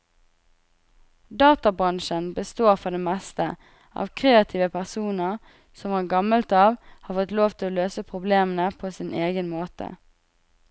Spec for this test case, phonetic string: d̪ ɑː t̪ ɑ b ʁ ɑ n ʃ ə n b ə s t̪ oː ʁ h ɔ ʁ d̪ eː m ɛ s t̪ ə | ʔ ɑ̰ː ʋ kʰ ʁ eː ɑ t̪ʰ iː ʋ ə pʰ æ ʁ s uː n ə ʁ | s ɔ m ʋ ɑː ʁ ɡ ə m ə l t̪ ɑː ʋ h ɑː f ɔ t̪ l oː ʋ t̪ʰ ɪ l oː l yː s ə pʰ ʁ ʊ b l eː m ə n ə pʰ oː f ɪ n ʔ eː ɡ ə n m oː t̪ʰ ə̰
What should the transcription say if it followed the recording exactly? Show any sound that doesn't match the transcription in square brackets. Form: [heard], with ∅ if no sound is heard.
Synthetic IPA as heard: d̪ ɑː t̪ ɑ b ʁ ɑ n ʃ ə n b ə s t̪ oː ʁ [f] ɔ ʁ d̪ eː m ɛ s t̪ ə | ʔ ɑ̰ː ʋ kʰ ʁ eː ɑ t̪ʰ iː ʋ ə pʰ æ ʁ s uː n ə ʁ | s ɔ m ʋ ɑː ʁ ɡ [ɑ] m ə l t̪ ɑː ʋ h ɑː f ɔ t̪ l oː ʋ t̪ʰ ɪ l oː l [øː] s ə pʰ ʁ ʊ b l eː m ə n ə pʰ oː [s] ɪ n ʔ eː ɡ ə n m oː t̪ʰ ə̰